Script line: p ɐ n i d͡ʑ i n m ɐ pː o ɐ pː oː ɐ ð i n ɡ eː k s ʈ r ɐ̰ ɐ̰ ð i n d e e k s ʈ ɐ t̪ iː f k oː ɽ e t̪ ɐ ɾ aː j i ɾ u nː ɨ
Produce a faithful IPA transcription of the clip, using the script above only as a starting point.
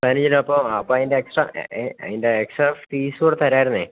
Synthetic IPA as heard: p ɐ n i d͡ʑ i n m ɐ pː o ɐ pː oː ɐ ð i n d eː k s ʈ r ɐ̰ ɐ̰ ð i n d e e k s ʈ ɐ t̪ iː s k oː ɽ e t̪ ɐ ɾ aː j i ɾ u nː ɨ